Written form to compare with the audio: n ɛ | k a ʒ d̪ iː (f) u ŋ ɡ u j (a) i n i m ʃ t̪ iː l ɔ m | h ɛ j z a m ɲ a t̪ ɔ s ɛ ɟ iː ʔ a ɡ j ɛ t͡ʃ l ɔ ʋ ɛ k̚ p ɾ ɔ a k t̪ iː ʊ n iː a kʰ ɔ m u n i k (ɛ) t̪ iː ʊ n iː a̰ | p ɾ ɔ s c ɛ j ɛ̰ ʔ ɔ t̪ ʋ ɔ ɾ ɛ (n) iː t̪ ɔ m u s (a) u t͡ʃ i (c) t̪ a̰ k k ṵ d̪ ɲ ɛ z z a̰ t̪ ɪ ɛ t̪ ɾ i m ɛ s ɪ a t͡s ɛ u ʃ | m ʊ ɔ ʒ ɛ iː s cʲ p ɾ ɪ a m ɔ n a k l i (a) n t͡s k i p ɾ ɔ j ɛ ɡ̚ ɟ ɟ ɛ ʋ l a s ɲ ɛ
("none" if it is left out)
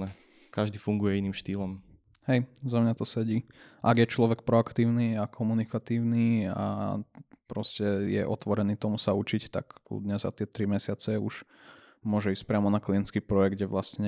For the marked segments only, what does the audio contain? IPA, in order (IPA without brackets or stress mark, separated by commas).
f, ɛ, a, n, a, c, ɛ